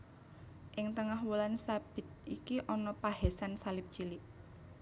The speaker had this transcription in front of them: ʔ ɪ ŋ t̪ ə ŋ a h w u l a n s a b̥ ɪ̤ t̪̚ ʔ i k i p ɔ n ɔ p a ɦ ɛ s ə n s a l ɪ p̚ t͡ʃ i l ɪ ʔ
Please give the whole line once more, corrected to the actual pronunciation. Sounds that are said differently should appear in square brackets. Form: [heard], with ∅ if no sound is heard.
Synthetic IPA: ʔ ɪ ŋ t̪ ə ŋ a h w u l a n s a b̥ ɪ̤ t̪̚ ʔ i k i [ʔ] ɔ n ɔ p a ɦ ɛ s [a] n s a l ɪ p̚ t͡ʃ i l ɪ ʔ